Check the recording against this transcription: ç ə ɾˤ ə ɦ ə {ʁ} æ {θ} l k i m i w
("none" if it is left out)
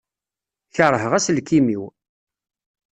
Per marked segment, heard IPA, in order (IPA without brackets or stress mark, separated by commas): ʁ, s